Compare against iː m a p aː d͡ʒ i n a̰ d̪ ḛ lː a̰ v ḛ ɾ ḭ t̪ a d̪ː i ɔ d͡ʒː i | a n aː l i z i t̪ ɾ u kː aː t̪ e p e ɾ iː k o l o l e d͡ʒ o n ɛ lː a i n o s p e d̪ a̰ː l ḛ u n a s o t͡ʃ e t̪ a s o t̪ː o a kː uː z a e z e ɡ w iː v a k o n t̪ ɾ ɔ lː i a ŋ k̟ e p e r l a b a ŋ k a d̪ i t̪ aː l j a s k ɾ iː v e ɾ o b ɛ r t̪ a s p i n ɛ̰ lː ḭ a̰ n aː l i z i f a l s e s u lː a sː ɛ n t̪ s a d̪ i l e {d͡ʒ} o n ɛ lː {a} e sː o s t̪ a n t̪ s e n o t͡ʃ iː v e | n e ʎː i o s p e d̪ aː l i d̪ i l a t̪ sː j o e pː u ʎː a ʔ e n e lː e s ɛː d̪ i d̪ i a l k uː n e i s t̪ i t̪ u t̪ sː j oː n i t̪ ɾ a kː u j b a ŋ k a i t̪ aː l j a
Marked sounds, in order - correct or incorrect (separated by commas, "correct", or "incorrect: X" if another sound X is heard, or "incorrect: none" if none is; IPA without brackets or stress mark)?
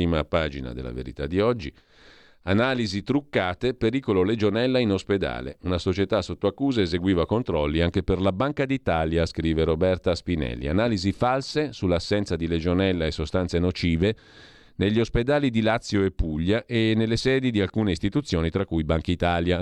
correct, correct